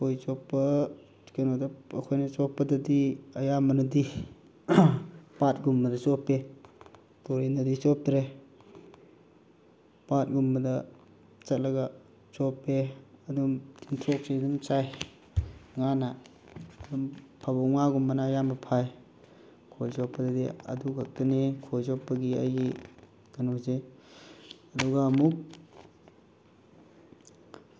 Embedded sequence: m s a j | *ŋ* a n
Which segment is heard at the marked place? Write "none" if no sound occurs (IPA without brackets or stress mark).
ŋ